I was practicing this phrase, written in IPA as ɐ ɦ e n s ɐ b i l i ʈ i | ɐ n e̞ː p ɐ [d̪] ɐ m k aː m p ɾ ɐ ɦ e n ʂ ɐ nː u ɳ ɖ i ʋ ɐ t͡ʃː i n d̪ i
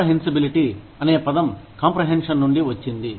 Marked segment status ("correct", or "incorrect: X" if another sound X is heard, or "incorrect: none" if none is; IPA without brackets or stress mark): correct